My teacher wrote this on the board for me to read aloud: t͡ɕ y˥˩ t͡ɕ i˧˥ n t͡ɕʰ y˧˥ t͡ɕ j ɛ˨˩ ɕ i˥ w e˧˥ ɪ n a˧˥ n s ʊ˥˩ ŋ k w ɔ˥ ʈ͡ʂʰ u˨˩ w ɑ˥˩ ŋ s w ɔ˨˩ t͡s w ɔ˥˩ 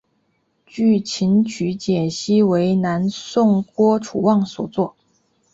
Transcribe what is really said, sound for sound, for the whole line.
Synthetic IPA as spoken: t͡ɕ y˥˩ t͡ɕʰ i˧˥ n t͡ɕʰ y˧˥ t͡ɕ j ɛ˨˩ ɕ i˥ w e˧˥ ɪ n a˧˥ n s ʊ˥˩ ŋ k w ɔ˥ ʈ͡ʂʰ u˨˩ w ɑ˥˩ ŋ s w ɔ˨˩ t͡s w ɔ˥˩